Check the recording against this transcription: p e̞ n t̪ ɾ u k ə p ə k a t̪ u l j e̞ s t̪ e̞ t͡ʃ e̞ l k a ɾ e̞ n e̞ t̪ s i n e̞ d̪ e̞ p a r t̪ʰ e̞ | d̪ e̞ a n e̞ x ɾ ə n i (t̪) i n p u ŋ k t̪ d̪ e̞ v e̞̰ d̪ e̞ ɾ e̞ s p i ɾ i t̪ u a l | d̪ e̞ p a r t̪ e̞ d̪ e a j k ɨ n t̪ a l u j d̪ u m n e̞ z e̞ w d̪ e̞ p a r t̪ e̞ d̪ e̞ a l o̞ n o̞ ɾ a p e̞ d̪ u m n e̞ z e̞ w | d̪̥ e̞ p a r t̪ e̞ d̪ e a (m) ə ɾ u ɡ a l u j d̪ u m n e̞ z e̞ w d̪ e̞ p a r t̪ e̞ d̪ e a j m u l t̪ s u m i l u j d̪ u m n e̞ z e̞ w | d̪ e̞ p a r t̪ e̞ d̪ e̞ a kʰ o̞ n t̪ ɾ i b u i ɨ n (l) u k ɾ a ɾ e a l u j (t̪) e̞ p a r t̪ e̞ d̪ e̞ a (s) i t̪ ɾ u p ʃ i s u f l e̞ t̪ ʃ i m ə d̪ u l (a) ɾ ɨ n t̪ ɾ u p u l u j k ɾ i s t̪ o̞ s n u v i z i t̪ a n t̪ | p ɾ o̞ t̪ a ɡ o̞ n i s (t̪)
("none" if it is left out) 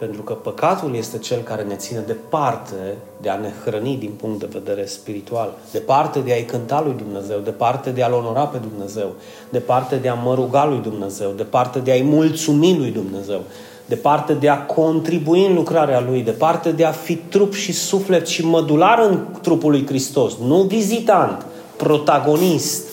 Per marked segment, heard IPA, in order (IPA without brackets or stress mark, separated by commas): d̪, m, l, d̪, f, a, t̪